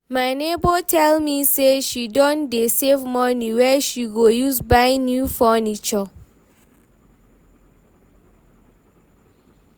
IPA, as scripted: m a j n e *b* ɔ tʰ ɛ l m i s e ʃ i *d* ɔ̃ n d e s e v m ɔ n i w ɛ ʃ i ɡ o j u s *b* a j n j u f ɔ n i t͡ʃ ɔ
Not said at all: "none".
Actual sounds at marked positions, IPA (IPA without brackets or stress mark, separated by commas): b, d, b